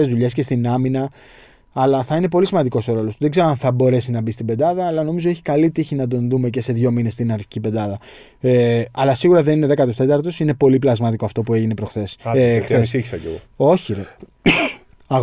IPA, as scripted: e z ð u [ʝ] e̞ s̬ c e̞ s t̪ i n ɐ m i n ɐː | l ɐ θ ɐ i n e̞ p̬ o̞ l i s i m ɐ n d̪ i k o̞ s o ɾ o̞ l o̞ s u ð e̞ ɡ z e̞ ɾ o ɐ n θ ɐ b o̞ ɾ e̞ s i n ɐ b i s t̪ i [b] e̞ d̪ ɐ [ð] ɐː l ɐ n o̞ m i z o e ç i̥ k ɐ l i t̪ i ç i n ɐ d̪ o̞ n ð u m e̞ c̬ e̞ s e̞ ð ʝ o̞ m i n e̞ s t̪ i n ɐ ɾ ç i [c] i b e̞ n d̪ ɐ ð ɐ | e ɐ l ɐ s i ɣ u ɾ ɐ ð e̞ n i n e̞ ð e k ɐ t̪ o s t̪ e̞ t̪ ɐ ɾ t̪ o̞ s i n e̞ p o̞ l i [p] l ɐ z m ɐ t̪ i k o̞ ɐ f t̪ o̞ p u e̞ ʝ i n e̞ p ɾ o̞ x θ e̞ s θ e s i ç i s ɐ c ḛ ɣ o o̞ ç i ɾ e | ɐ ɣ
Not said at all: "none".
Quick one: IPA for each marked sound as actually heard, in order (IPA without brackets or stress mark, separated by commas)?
ʎ, b, ð, c, p